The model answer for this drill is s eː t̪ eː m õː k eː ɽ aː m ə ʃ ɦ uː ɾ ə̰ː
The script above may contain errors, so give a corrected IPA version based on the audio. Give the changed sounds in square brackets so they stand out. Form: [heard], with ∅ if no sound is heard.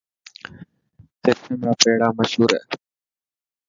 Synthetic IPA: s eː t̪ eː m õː [p] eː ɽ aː m ə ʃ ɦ uː ɾ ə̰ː